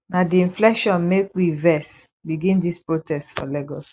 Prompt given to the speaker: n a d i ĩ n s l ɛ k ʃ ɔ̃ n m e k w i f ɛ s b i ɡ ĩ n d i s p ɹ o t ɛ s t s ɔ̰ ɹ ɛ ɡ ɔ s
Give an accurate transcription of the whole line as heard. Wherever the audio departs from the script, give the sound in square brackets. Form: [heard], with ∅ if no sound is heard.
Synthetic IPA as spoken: n a d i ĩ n [f] l ɛ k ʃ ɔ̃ n m e k w i [v] ɛ s b i ɡ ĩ n d i s p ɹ o t ɛ s t [f] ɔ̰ [l] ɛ ɡ ɔ s